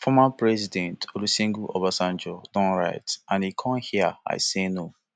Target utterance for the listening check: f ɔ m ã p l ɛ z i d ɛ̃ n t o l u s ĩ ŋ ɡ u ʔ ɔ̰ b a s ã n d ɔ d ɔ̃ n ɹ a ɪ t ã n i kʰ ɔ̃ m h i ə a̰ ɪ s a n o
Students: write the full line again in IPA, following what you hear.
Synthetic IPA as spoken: f ɔ m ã p ɹ ɛ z i d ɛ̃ n t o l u s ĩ ŋ ɡ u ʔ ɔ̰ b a s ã n d͡ʒ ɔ d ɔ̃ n ɹ a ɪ t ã n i kʰ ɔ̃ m h i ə a̰ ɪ s e n o